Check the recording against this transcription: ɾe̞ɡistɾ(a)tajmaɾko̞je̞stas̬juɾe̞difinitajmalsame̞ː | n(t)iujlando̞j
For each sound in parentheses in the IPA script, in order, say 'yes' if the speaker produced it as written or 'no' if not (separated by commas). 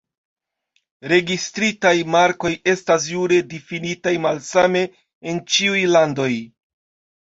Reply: no, no